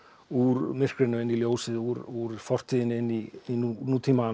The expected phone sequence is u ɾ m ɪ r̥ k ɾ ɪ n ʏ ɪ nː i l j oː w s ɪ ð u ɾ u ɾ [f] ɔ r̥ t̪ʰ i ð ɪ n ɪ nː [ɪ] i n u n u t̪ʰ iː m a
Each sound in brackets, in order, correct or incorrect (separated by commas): correct, incorrect